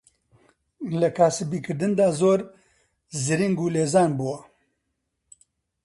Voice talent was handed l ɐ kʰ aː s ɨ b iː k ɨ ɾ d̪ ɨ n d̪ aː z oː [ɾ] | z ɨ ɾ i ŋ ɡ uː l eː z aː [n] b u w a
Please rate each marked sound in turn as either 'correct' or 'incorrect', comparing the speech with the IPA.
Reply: correct, correct

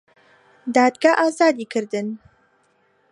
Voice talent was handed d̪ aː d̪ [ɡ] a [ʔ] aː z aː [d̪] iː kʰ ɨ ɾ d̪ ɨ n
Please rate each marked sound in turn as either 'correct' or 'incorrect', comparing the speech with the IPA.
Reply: correct, correct, correct

